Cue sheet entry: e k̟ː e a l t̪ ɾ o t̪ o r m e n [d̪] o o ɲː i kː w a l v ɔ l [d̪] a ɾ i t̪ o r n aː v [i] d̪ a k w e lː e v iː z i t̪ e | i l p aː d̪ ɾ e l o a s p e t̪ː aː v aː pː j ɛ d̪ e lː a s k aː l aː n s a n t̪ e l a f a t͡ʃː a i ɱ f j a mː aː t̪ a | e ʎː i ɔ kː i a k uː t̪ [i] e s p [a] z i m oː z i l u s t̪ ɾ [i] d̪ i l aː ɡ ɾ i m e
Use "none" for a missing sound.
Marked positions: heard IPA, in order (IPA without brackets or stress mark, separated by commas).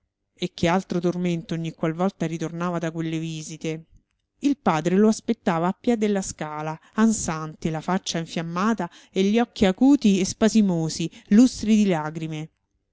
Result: t̪, t̪, a, i, a, i